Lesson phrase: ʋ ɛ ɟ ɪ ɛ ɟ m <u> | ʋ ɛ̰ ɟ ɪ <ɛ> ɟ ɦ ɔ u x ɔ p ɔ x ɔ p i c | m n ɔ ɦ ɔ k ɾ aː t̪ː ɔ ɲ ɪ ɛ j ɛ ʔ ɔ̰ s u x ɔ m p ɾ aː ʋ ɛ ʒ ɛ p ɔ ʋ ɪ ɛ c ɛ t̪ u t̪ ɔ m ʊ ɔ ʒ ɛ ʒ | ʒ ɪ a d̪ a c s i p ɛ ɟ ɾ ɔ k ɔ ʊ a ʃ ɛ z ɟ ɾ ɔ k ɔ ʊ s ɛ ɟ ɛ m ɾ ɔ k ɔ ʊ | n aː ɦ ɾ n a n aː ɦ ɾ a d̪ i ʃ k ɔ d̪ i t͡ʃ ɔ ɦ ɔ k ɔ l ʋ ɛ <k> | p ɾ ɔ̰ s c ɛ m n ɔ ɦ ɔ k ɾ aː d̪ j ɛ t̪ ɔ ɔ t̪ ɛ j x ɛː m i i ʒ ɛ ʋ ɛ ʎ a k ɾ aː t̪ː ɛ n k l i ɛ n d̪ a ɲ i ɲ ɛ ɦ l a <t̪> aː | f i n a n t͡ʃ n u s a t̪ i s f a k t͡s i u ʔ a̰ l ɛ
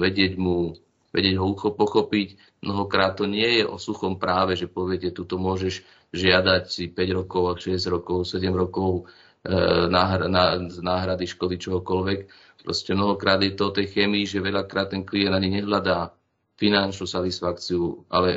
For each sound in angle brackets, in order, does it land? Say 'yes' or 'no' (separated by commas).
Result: yes, yes, yes, no